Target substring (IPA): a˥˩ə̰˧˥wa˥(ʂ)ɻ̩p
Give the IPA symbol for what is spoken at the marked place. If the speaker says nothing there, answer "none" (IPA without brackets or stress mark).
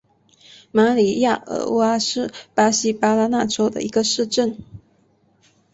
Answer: ʂ